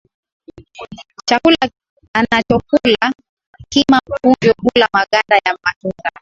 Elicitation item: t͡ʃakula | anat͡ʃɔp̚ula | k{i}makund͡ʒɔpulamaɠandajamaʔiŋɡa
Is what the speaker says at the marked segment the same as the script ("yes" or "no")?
yes